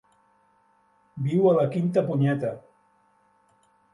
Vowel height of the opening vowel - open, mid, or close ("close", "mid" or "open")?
close